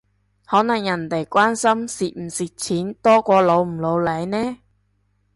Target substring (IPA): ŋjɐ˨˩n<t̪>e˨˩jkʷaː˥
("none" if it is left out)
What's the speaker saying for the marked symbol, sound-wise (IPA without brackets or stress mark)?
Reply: t̪